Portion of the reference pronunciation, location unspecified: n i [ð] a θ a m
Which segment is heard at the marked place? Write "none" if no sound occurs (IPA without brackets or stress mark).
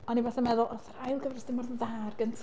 v